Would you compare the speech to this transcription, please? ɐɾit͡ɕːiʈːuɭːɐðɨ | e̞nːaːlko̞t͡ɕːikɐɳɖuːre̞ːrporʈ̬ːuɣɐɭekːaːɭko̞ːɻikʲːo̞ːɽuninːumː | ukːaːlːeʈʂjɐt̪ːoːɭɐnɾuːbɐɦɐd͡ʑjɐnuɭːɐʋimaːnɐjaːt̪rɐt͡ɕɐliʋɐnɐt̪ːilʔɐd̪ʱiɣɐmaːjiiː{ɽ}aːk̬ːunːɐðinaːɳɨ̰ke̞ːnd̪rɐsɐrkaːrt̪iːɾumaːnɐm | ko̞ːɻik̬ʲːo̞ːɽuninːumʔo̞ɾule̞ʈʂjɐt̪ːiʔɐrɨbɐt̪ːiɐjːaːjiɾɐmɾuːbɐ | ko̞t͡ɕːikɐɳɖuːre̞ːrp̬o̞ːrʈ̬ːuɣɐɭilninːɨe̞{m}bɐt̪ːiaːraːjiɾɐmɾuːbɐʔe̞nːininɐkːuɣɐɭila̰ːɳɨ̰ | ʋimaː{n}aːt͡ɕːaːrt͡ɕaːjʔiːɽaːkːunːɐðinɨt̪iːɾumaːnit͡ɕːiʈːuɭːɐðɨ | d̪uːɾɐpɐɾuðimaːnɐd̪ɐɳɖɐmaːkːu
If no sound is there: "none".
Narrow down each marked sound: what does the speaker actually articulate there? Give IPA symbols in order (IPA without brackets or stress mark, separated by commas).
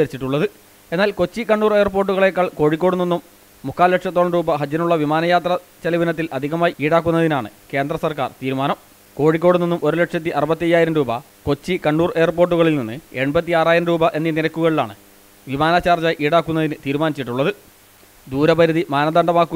ɽ, ɳ, n